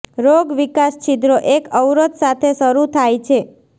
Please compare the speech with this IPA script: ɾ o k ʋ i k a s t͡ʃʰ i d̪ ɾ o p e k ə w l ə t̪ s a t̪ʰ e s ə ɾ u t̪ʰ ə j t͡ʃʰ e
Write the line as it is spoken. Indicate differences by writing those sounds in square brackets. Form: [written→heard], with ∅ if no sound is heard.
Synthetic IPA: ɾ o [k→ɡ] ʋ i k a s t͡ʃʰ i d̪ ɾ o [p→ʔ] e k ə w [l→ɾ] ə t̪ s a t̪ʰ e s ə ɾ u t̪ʰ [ə→a] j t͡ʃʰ e